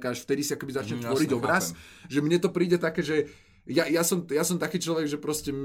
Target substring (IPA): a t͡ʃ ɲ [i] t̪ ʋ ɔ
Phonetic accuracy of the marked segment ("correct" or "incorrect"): incorrect